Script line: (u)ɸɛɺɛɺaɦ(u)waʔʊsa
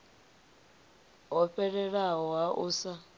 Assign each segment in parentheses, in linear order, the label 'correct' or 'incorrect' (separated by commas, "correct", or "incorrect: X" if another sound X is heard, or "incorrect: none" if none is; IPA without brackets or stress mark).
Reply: incorrect: ɔ, incorrect: ɔ